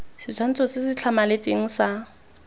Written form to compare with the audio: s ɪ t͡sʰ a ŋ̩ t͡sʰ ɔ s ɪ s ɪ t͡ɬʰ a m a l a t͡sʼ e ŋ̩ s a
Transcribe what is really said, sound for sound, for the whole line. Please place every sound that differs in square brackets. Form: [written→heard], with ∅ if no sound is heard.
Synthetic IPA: s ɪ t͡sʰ a [ŋ̩→n̩] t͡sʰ ɔ s ɪ s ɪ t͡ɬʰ a m a l [a→e] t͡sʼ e ŋ̩ s a

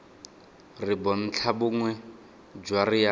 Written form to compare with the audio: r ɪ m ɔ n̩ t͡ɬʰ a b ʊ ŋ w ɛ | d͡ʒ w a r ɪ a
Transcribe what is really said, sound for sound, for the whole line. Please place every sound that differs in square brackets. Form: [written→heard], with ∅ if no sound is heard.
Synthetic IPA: r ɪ [m→b] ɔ n̩ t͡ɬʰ a b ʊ ŋ w ɛ | d͡ʒ w a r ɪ a

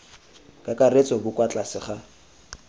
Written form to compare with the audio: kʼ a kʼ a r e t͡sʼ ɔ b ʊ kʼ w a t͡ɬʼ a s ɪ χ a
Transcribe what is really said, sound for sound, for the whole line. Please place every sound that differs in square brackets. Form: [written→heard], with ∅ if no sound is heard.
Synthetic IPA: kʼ a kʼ a r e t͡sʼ ɔ b ʊ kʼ w a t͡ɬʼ a s ɪ χ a

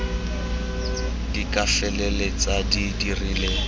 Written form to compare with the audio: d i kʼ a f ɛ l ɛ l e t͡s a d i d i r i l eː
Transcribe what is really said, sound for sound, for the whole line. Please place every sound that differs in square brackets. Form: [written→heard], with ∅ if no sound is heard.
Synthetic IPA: d i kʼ a f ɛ l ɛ l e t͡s a d i d i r i l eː

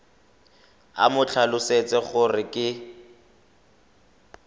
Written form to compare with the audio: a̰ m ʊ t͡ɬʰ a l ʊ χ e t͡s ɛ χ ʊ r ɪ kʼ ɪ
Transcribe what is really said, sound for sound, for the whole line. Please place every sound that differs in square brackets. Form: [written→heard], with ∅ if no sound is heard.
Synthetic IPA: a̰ m ʊ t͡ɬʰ a l ʊ [χ→s] e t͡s ɛ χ ʊ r ɪ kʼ ɪ

